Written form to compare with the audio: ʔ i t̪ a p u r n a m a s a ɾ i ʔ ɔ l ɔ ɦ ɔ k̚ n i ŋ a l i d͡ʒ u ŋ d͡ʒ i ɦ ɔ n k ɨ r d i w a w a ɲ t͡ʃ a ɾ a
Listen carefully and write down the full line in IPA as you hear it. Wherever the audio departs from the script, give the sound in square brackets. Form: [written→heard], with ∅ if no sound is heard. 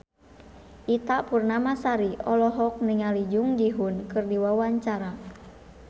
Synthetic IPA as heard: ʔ i t̪ a p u r n a m a s a ɾ i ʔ ɔ l ɔ ɦ ɔ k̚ n i ŋ a l i d͡ʒ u ŋ d͡ʒ i ɦ [ɔ→u] n k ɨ r d i w a w a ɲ t͡ʃ a ɾ a

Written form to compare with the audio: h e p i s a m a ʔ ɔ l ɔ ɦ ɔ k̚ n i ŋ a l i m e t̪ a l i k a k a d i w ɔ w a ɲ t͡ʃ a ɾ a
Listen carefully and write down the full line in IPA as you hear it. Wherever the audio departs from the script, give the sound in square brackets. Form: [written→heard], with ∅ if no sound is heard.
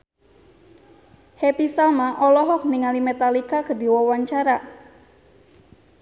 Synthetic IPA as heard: h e p i s a m a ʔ ɔ l ɔ ɦ ɔ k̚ n i ŋ a l i m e t̪ a l i k a k [a→ə] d i w ɔ w a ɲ t͡ʃ a ɾ a

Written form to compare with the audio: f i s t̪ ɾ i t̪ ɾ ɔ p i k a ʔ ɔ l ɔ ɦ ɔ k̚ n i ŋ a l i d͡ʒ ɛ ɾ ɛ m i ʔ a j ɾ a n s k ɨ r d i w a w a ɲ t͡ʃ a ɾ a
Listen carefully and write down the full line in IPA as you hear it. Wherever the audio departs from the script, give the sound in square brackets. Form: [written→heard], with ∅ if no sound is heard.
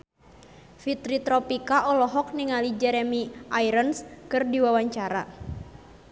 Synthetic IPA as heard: f i [s→∅] t̪ ɾ i t̪ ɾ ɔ p i k a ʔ ɔ l ɔ ɦ ɔ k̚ n i ŋ a l i d͡ʒ ɛ ɾ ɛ m i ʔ a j ɾ [a→ə] n s k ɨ r d i w a w a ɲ t͡ʃ a ɾ a

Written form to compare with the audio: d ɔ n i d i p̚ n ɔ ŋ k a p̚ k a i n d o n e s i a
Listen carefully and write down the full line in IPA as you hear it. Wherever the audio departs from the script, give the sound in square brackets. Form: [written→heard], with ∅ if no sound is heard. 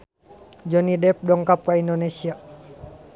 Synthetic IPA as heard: [d→d͡ʒ] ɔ n i d [i→ɛ] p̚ [n→d] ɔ ŋ k a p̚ k a i n d o n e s i a

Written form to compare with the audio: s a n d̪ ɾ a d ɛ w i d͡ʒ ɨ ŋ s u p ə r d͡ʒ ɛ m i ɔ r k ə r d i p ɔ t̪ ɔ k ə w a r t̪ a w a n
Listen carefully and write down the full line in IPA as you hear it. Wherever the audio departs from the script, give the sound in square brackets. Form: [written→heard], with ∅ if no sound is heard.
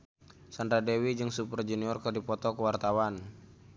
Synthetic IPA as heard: s a n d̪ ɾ a d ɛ w i d͡ʒ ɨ ŋ s u p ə r d͡ʒ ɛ [m→n] i ɔ r k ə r d i p ɔ t̪ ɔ k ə w a r t̪ a w a n

